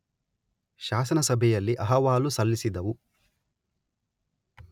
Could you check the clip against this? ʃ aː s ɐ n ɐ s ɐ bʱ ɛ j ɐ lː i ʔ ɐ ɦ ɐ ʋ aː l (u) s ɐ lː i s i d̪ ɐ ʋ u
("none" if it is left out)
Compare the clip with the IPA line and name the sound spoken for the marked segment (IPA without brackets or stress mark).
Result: u